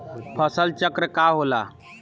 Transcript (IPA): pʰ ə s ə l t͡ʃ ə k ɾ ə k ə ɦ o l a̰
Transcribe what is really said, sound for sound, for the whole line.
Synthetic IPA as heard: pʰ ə s ə l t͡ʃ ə k ɾ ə k a ɦ o l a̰